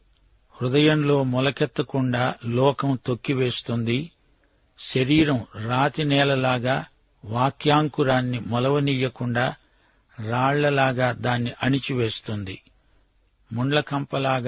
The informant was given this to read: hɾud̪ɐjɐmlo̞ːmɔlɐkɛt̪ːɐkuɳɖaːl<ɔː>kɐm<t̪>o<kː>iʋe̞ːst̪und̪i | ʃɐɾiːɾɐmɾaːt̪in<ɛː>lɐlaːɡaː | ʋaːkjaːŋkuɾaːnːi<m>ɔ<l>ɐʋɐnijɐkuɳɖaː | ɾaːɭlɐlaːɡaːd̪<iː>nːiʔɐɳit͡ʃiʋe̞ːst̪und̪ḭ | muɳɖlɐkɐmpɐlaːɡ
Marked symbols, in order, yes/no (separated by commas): yes, yes, yes, yes, yes, yes, no